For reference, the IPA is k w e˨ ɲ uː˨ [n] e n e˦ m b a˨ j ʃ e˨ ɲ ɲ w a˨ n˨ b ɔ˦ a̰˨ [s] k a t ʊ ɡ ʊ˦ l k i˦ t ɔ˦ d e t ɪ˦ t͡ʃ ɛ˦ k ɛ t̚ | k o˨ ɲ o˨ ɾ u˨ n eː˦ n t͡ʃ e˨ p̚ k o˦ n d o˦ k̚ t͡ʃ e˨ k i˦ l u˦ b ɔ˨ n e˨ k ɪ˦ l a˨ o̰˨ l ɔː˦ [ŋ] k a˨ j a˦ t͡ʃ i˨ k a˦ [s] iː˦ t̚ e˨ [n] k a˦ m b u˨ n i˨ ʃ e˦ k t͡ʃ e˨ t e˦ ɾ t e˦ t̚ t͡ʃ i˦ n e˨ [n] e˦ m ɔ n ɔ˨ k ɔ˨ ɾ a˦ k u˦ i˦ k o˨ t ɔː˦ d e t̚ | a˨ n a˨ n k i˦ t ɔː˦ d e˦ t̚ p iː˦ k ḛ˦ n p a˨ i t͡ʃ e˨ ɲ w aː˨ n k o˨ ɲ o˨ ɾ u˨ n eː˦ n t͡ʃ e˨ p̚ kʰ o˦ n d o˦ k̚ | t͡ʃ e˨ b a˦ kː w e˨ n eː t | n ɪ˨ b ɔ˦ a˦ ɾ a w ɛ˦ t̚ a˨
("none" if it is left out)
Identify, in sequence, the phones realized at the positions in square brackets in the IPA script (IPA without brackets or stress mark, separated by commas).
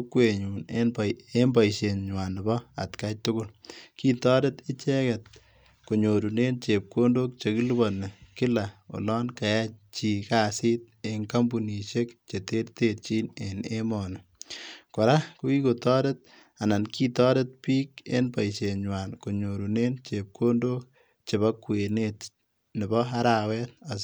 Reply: n, t, n, s, ŋ, n